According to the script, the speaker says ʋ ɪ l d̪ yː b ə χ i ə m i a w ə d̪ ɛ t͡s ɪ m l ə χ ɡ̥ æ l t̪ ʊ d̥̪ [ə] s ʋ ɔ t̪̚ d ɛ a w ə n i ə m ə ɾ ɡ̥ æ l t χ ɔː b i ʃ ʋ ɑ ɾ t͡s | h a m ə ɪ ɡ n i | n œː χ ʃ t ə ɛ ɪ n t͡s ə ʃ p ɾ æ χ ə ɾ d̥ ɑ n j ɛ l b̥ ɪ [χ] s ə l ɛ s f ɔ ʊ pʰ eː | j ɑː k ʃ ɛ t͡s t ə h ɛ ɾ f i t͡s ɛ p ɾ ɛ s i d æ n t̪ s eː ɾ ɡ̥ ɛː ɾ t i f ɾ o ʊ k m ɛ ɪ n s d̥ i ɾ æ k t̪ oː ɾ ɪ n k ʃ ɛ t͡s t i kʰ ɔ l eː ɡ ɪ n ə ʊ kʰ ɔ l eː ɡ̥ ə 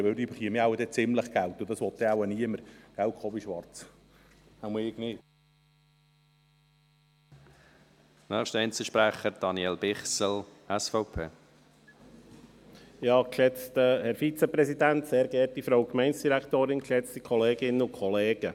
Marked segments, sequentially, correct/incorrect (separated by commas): incorrect, correct